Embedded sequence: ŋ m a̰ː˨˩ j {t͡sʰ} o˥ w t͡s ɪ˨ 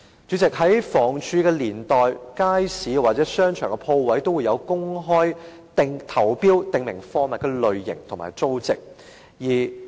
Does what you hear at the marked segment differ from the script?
yes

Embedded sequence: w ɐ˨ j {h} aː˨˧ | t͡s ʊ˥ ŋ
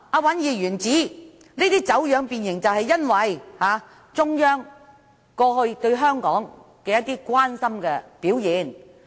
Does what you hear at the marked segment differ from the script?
no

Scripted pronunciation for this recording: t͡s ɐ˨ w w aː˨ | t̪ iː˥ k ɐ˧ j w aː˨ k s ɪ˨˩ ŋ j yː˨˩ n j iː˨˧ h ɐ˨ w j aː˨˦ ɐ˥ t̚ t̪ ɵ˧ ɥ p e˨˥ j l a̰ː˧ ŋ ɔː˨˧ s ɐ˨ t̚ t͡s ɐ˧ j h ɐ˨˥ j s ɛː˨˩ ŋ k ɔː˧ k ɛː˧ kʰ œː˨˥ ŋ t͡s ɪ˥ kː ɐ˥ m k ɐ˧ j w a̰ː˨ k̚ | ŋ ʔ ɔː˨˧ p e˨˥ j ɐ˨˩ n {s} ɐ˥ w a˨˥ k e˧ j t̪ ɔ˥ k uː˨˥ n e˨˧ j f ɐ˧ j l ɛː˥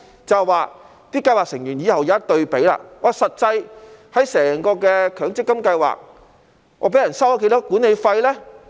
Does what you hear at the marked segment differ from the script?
no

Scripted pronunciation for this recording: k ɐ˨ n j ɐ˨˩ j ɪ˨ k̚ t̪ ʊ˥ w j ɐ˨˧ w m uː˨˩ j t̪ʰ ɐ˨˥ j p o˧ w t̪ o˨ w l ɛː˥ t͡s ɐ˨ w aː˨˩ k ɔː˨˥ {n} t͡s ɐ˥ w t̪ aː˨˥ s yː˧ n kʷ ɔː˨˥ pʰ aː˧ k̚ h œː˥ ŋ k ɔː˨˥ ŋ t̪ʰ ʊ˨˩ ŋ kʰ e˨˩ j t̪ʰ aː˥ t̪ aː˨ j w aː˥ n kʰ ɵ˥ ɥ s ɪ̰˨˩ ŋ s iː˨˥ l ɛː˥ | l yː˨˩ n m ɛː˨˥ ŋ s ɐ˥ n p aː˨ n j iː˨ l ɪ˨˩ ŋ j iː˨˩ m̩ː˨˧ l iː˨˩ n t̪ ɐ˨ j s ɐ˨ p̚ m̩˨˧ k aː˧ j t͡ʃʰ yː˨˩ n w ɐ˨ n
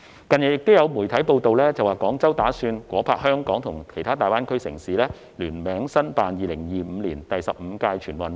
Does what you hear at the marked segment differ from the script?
yes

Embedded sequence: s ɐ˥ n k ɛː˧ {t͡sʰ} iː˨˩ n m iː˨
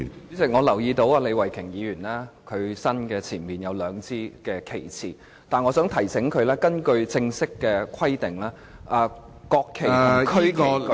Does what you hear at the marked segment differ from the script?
no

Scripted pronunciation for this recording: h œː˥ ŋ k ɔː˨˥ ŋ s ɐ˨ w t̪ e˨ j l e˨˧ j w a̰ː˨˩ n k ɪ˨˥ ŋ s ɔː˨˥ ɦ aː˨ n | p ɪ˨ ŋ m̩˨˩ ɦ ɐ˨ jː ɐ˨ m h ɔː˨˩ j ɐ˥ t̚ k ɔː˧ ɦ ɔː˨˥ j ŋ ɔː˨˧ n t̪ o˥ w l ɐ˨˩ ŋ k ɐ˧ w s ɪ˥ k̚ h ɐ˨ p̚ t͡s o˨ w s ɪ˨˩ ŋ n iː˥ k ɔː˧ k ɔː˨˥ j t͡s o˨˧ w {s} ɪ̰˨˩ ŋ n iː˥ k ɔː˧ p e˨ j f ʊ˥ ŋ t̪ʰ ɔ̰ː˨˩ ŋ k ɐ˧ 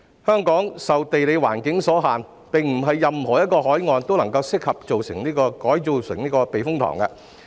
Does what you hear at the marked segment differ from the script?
no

